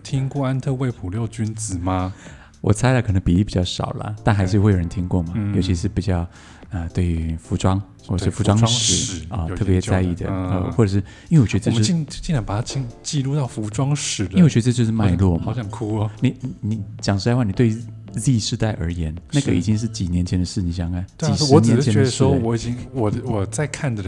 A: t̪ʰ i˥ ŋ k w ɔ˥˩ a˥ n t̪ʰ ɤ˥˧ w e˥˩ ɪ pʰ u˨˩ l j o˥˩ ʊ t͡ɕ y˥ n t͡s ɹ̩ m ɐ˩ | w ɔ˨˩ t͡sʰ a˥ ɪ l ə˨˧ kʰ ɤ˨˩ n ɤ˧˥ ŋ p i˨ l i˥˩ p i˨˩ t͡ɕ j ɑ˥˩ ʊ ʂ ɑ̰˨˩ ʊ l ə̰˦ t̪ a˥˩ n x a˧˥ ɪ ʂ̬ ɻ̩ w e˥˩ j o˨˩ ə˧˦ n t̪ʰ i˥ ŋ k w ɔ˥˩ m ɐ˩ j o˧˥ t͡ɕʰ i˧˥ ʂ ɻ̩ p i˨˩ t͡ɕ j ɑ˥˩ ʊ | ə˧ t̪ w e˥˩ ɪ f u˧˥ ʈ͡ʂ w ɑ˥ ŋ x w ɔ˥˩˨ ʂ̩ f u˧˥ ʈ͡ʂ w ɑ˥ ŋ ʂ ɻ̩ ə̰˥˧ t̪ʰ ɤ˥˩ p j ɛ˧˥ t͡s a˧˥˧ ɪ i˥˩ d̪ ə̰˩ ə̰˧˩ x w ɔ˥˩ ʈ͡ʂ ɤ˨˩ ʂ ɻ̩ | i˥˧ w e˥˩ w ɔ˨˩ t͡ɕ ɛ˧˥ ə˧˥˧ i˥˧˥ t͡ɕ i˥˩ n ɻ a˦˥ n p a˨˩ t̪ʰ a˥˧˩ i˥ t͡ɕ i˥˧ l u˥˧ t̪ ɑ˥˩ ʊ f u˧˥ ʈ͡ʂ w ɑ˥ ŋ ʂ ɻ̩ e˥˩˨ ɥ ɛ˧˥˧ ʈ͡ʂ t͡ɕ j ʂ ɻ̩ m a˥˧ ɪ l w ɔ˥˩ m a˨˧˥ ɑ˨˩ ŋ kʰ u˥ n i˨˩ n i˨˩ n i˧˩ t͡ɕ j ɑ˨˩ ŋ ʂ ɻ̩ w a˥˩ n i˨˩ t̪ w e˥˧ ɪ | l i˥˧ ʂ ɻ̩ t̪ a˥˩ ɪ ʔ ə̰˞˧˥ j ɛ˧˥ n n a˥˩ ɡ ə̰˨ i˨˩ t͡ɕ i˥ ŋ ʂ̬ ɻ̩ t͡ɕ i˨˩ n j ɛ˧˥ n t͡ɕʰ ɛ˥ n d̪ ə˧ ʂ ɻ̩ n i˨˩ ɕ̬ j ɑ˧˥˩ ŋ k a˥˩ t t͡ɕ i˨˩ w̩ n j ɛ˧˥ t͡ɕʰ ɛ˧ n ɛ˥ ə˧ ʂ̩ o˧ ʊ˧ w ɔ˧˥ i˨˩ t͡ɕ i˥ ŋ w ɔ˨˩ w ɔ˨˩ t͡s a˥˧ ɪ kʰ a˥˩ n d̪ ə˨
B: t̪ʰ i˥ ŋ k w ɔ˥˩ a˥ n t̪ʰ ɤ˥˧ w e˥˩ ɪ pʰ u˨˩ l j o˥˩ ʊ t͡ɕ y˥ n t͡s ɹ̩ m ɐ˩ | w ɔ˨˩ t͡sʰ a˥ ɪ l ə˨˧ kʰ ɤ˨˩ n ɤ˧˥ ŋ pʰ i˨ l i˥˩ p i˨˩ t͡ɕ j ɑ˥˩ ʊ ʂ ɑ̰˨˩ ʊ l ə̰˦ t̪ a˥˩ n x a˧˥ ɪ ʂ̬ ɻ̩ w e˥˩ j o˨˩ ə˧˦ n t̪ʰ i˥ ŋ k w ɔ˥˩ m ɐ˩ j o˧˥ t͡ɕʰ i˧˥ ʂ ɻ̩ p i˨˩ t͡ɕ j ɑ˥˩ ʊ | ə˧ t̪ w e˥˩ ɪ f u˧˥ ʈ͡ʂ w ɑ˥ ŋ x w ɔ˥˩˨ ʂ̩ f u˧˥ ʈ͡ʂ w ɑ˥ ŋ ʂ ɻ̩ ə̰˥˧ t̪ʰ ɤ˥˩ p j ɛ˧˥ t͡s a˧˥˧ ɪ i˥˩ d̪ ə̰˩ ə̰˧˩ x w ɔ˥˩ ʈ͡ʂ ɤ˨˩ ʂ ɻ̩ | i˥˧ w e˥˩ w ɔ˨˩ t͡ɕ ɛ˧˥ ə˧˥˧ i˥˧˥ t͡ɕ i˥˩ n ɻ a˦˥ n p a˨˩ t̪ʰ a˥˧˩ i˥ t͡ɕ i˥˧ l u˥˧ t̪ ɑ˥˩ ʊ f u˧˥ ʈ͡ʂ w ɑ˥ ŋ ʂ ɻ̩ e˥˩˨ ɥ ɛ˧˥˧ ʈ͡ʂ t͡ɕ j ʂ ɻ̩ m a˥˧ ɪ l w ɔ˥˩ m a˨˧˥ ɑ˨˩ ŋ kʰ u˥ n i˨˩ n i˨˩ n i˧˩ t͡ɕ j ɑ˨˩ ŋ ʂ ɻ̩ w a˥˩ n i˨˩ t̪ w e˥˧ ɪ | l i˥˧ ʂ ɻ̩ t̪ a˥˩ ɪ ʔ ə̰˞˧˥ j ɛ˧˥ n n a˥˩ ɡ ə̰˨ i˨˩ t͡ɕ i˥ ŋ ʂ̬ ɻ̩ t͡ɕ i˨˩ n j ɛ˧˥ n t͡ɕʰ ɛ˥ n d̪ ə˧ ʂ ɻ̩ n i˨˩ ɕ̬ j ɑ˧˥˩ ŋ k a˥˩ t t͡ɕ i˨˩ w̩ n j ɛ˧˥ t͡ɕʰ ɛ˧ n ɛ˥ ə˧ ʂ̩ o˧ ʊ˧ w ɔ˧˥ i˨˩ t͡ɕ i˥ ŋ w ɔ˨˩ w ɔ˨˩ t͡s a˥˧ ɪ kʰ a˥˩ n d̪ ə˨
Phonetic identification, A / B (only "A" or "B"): A